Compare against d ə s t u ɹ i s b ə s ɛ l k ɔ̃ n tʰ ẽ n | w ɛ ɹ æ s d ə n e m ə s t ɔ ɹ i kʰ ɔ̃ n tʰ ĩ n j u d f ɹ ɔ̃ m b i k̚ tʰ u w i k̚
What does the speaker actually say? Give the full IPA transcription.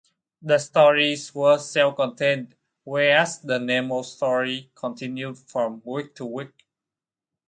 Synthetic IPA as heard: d ə s t ɔ ɹ i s w ə s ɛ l k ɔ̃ n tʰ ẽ n | w ɛ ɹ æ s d ə n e m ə s t ɔ ɹ i kʰ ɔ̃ n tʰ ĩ n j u d f ɹ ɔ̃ m w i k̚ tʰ u w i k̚